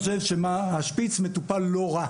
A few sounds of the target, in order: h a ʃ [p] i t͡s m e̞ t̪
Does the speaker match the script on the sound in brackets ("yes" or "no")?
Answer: yes